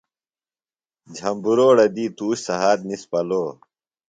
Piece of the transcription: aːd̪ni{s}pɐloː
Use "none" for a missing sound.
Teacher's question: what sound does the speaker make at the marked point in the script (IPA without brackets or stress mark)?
s